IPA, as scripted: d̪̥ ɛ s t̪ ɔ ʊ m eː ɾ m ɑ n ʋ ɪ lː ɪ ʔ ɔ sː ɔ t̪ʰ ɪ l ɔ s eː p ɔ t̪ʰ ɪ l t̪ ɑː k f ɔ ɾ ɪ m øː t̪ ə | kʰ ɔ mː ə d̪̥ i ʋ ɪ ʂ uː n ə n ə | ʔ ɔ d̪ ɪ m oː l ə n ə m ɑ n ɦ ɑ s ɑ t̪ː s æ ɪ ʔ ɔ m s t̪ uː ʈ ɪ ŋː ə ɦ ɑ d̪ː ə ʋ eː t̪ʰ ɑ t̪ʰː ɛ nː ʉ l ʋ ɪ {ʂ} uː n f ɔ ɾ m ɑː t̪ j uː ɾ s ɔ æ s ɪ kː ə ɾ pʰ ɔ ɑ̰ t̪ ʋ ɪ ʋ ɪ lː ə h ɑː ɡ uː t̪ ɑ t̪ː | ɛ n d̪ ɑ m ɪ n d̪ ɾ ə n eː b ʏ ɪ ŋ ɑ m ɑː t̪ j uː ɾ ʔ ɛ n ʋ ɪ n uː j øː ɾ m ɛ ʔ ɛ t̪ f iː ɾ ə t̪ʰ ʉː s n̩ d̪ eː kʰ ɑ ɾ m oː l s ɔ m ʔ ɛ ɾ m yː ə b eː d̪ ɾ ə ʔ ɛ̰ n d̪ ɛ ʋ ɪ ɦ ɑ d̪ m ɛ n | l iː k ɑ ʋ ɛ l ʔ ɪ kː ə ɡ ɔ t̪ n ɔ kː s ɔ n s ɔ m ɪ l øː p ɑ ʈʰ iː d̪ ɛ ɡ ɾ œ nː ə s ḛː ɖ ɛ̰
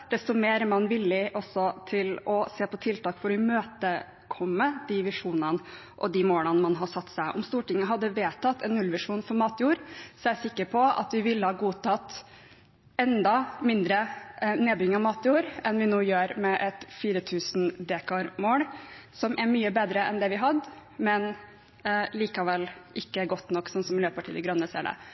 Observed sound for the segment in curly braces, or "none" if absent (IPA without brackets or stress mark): ʂ